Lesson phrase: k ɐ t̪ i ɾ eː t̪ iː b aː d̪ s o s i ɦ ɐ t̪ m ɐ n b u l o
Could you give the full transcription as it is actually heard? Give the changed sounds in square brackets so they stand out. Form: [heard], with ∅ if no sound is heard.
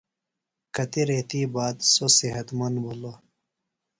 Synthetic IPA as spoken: k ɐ t̪ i ɾ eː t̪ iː b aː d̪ s o s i ɦ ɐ t̪ m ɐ n b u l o